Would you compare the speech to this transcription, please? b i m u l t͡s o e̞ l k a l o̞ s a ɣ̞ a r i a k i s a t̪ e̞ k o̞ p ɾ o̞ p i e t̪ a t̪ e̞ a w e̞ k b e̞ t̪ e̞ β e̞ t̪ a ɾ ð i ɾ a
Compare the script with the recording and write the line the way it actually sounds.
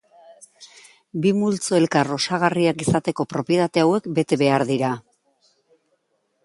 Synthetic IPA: b i m u l t͡s o e̞ l k a r o̞ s a ɣ̞ a r i a k i s a t̪ e̞ k o̞ p ɾ o̞ p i e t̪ a t̪ e̞ a w e̞ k b e̞ t̪ e̞ β e̞ a ɾ ð i ɾ a